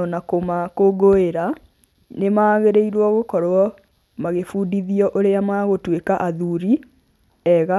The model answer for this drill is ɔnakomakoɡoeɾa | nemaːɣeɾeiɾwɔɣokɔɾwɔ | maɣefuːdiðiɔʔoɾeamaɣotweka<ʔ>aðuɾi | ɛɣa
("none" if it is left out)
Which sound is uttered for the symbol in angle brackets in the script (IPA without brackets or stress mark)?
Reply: ʔ